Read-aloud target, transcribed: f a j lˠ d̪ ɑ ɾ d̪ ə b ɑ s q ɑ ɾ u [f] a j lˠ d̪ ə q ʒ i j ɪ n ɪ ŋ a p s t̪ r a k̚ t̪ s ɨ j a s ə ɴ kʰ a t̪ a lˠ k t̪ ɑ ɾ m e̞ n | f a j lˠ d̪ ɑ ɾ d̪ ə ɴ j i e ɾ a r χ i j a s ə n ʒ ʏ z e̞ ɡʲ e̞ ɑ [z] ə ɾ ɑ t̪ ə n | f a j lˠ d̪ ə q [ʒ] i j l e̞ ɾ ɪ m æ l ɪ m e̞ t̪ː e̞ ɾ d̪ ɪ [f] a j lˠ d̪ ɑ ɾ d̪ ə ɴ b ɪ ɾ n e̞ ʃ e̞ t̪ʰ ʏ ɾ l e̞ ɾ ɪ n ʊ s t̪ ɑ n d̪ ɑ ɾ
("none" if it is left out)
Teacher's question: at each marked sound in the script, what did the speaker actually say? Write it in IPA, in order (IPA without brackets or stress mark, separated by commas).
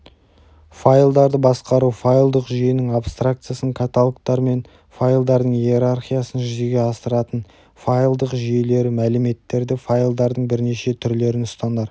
f, s, ʒ, f